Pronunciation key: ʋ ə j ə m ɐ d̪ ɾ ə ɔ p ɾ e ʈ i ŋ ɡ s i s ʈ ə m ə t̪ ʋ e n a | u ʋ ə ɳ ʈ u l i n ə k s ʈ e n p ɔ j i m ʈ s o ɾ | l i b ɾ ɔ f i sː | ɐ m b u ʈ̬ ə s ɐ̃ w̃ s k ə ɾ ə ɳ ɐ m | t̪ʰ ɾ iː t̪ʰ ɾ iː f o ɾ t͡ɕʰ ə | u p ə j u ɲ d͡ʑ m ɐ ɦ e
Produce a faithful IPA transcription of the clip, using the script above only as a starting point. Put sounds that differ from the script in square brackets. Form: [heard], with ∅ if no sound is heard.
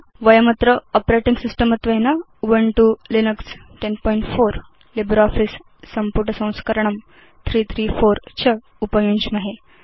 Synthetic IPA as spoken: ʋ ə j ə m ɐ [t̪] ɾ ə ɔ p ɾ e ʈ i ŋ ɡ s i s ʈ ə m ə t̪ ʋ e n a | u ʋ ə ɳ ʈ u l i n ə k s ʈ e n p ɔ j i [ɳ] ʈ [f] o ɾ | l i b ɾ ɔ f i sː | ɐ m [p] u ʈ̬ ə s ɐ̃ w̃ s k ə ɾ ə ɳ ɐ m | t̪ʰ ɾ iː t̪ʰ ɾ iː f o ɾ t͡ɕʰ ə | u p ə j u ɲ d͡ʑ m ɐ ɦ e